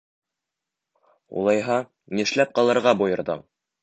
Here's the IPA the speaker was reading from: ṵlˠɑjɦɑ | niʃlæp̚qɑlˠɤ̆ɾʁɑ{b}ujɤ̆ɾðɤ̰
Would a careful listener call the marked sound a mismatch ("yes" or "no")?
no